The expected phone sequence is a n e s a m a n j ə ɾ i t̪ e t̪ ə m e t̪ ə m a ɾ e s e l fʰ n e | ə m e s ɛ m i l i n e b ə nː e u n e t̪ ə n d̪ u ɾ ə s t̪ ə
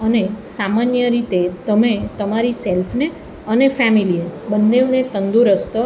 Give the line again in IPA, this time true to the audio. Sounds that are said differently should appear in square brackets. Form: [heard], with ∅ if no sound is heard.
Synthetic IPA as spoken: [ə] n e s a m a n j ə ɾ i t̪ e t̪ ə m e t̪ ə m a ɾ [i] s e l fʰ n e | ə [n] e [f] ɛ m i l i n e b ə nː e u n e t̪ ə n d̪ u ɾ ə s t̪ ə